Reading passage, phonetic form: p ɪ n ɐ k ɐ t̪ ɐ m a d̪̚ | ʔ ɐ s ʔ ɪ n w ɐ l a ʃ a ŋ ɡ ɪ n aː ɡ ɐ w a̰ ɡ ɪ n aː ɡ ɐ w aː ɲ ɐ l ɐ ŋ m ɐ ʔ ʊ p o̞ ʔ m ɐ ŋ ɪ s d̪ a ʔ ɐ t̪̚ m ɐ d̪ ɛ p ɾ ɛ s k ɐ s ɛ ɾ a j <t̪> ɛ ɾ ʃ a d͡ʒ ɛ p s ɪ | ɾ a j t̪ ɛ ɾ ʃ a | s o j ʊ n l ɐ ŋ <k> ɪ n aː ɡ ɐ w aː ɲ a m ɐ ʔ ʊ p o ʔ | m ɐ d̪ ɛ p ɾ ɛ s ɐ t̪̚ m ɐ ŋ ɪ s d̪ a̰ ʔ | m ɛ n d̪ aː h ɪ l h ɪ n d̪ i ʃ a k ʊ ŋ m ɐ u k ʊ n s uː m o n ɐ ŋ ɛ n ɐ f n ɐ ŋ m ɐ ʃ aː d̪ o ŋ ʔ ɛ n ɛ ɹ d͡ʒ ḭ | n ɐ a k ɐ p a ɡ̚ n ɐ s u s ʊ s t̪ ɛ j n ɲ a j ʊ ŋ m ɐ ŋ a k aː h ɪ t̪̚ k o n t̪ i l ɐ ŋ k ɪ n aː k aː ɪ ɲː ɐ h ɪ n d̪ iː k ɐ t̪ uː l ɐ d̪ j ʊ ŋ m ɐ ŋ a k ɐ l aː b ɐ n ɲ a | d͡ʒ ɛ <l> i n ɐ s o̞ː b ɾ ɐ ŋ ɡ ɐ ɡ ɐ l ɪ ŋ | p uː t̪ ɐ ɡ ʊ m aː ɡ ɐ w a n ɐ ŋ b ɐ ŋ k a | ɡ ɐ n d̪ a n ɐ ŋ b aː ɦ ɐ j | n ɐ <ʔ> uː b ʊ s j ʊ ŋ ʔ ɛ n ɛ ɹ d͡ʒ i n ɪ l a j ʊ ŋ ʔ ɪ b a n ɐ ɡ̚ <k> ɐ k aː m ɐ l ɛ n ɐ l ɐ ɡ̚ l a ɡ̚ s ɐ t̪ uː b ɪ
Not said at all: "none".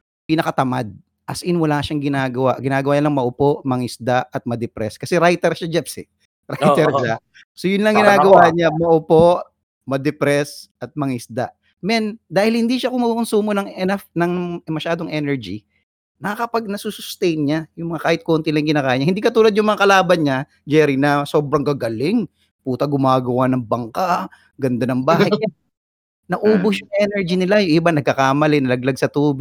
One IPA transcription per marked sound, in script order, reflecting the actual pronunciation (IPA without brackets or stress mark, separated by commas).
t̪, ɡ, ɾ, ʔ, k